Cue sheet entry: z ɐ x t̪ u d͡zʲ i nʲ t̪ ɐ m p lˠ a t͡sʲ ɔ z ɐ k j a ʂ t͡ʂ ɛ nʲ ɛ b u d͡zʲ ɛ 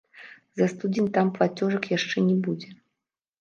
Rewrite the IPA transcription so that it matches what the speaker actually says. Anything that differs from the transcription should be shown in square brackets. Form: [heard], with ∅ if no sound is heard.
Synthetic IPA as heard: z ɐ [s] t̪ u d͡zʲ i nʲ t̪ [a] m p lˠ a t͡sʲ ɔ [ʐ] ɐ k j a ʂ t͡ʂ ɛ nʲ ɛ b u d͡zʲ ɛ